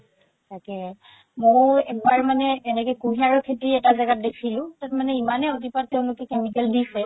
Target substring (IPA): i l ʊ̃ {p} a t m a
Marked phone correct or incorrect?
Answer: incorrect